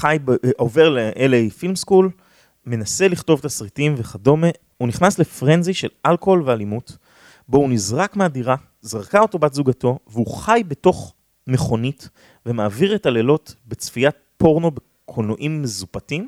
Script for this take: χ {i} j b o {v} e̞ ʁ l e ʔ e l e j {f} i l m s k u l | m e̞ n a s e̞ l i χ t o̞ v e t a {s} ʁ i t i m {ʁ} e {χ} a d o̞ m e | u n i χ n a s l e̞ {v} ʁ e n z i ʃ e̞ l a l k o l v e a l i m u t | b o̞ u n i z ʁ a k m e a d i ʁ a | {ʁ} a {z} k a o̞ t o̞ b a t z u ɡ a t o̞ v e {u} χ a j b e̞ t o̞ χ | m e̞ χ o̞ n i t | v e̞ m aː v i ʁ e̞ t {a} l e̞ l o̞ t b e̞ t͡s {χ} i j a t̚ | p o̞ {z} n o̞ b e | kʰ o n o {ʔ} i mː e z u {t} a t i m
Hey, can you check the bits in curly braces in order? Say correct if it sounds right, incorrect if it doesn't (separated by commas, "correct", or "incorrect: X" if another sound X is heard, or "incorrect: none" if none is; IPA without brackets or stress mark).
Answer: incorrect: a, correct, correct, correct, incorrect: v, correct, incorrect: f, incorrect: z, incorrect: ʁ, correct, correct, incorrect: f, incorrect: ʁ, correct, incorrect: p